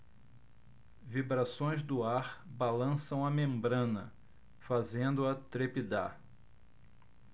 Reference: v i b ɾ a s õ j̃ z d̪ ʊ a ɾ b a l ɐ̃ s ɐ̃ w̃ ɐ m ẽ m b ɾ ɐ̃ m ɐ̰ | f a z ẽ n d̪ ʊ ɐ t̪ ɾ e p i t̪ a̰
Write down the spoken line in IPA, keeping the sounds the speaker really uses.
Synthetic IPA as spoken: v i b ɾ a s õ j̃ z d̪ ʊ a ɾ b a l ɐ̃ s ɐ̃ w̃ ɐ m ẽ m b ɾ ɐ̃ n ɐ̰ | f a z ẽ n d̪ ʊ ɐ t̪ ɾ e p i d̪ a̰